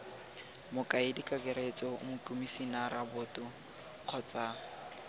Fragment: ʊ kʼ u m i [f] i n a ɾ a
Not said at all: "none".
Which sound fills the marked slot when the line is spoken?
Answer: s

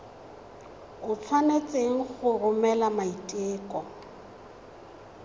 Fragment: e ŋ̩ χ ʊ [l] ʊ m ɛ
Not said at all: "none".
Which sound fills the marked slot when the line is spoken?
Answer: r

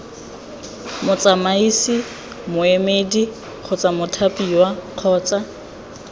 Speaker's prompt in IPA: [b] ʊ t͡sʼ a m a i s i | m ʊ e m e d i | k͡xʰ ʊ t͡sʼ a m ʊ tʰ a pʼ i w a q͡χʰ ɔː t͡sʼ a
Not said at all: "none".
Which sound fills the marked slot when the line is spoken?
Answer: m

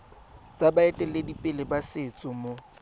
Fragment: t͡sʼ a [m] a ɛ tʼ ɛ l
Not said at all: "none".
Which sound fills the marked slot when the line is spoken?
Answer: b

